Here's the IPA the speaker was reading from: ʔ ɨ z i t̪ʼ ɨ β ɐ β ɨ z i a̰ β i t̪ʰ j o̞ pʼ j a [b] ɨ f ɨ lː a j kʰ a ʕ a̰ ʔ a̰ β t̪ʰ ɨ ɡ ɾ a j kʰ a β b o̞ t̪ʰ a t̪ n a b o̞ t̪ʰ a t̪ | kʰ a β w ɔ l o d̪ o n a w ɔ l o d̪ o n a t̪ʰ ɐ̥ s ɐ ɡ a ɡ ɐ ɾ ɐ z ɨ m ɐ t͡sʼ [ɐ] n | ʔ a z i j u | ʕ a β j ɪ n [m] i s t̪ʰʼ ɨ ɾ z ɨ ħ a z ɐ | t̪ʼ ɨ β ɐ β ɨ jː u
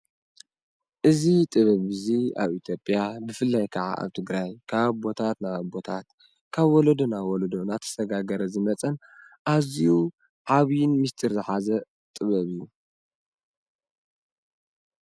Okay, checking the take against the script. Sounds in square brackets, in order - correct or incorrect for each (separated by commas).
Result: correct, correct, correct